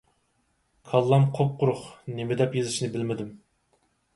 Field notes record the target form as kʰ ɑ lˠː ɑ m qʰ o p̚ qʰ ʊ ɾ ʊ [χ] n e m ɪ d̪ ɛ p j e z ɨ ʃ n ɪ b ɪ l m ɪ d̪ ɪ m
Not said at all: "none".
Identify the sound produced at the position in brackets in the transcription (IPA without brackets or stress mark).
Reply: χ